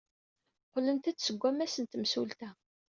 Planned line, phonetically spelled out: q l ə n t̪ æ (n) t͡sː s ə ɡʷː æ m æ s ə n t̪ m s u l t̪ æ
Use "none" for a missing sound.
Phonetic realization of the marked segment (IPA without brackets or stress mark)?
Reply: none